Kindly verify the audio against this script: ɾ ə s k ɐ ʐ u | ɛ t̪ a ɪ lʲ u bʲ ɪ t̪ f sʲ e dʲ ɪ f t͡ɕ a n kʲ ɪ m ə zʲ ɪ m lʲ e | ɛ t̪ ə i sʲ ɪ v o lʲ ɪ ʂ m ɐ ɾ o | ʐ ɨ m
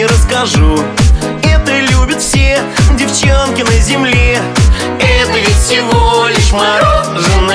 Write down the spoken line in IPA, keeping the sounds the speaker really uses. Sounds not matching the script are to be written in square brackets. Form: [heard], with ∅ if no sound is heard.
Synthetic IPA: ɾ ə s k ɐ ʐ u | ɛ t̪ [ə] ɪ lʲ u bʲ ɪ t̪ f sʲ e dʲ ɪ f t͡ɕ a n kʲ ɪ [n] ə zʲ ɪ m lʲ e | ɛ t̪ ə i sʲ ɪ v o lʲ ɪ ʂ m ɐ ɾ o | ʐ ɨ [n]